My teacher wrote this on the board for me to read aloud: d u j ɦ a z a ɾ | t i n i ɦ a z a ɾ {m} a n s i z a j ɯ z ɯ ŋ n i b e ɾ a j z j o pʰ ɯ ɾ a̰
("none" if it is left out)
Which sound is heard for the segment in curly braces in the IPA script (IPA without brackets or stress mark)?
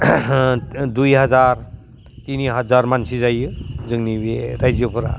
m